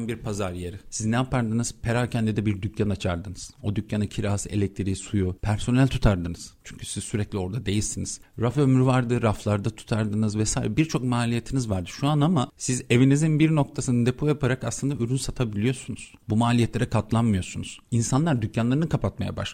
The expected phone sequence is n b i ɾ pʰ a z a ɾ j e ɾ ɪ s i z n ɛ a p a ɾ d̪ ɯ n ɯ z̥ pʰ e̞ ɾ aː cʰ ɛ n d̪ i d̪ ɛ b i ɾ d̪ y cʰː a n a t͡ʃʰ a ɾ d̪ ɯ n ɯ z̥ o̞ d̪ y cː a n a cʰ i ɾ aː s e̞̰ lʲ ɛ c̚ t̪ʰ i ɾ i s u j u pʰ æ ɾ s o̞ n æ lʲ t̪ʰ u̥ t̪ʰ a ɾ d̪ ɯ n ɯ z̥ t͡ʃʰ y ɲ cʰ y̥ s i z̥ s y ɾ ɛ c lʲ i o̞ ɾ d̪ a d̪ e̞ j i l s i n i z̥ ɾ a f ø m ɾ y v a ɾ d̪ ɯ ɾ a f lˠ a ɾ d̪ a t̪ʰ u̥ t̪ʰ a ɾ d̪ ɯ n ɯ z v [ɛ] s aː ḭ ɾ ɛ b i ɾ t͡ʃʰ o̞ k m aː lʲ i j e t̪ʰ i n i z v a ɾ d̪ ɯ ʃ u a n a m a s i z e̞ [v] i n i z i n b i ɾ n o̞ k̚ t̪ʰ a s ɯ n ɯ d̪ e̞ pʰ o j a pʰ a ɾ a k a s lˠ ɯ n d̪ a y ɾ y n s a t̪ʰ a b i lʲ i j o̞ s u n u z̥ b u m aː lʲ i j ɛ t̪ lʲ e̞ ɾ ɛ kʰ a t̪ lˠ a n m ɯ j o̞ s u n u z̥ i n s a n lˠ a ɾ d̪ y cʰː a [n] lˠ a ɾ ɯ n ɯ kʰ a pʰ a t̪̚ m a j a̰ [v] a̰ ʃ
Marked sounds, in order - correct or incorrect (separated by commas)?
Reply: correct, correct, correct, incorrect